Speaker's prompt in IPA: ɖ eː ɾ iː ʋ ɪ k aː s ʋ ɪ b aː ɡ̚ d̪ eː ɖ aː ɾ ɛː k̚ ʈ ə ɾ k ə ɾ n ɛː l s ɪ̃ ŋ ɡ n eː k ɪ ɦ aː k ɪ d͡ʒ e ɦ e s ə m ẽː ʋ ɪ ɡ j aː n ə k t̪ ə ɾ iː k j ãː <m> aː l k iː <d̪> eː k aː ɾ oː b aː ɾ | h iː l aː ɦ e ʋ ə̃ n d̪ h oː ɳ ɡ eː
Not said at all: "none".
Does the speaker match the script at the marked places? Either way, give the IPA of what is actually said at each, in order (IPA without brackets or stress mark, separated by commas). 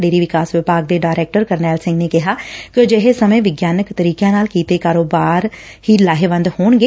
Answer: n, t̪